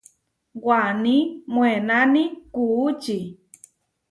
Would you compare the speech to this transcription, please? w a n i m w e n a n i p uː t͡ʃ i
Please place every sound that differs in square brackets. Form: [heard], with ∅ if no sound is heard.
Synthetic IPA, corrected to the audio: w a n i m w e n a n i [k] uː t͡ʃ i